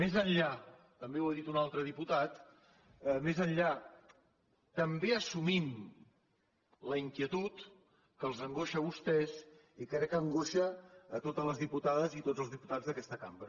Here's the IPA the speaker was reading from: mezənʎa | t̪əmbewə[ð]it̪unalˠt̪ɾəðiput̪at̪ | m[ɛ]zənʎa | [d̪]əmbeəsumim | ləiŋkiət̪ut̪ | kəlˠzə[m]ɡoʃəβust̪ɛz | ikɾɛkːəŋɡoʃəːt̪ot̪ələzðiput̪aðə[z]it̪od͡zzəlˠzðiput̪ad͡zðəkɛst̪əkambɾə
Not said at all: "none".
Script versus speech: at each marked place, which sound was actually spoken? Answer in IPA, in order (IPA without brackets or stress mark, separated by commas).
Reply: ð, e, t̪, ŋ, z